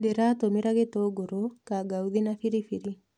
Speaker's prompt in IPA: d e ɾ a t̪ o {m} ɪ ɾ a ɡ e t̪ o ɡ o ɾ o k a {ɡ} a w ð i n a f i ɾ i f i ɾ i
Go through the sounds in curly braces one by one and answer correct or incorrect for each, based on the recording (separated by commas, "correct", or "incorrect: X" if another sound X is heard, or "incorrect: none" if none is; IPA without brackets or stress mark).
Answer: correct, correct